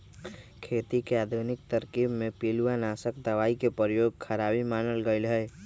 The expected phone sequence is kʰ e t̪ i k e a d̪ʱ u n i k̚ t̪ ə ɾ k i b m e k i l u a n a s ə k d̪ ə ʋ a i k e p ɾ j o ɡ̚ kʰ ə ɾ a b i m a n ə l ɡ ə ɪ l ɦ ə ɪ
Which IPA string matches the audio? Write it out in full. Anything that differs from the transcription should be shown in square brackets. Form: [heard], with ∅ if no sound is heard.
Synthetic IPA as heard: kʰ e t̪ i k e a d̪ʱ u n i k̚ t̪ ə ɾ k i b m e [p] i l u a n a s ə k d̪ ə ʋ a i k e p ɾ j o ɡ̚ kʰ ə ɾ a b i m a n ə l ɡ ə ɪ l ɦ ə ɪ